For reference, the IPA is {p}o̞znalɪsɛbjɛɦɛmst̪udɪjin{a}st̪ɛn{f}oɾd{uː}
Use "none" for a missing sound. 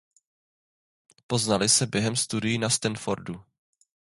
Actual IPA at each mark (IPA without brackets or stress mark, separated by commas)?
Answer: p, a, f, u